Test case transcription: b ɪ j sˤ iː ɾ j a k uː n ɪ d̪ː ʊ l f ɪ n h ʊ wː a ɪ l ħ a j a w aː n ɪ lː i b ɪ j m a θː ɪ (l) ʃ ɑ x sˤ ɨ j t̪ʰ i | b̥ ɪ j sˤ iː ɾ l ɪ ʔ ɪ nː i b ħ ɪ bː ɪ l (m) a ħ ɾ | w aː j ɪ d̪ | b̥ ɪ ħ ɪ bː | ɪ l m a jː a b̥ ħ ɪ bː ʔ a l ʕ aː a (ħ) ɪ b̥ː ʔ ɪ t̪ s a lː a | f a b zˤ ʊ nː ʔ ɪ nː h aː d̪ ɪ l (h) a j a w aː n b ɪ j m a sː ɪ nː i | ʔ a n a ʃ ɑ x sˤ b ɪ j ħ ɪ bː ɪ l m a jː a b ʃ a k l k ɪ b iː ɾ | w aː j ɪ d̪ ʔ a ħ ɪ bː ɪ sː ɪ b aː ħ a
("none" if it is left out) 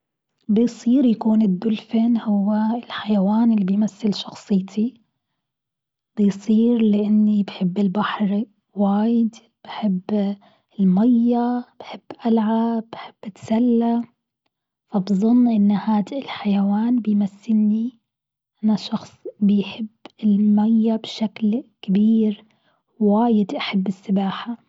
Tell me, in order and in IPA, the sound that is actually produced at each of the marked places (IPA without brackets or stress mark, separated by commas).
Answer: l, b, ħ, ħ